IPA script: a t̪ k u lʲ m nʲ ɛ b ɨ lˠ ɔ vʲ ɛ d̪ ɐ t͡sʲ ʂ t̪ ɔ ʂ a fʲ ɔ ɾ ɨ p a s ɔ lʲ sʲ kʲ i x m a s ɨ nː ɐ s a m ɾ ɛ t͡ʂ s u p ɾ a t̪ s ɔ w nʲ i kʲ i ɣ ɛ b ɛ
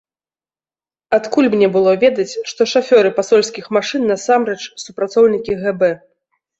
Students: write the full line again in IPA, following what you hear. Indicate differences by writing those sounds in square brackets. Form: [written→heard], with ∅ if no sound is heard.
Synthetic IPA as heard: a t̪ k u lʲ m nʲ ɛ b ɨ lˠ ɔ vʲ ɛ d̪ ɐ t͡sʲ ʂ t̪ ɔ ʂ a fʲ ɔ ɾ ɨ p a s ɔ lʲ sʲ kʲ i x m a [s→ʂ] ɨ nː ɐ s a m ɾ ɛ t͡ʂ s u p ɾ a t̪ s ɔ w nʲ i kʲ i ɣ ɛ b ɛ